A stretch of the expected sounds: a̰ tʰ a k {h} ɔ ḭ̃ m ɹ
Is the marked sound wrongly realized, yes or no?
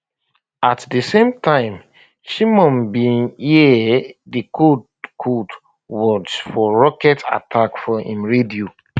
yes